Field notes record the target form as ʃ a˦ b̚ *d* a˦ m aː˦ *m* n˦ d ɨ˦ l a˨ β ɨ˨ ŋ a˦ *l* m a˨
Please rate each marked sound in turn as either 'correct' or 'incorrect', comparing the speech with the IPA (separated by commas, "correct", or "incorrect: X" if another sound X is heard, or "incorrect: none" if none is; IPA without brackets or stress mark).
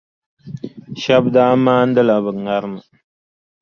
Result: correct, incorrect: none, incorrect: ɾ